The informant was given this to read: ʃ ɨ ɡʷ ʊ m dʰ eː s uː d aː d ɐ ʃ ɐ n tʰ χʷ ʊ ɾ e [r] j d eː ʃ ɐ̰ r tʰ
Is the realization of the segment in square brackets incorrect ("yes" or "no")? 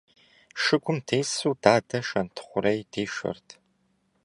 yes